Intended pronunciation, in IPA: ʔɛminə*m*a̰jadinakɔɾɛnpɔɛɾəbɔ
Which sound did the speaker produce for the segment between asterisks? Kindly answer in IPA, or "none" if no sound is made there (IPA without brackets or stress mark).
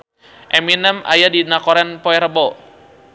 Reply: m